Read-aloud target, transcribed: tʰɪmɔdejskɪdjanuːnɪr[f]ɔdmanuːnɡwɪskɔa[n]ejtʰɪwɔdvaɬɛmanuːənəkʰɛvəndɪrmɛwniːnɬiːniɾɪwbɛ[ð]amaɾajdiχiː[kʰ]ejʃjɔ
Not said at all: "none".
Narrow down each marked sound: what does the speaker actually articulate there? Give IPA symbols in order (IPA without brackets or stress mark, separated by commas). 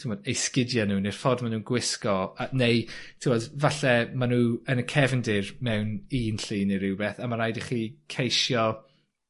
f, n, θ, kʰ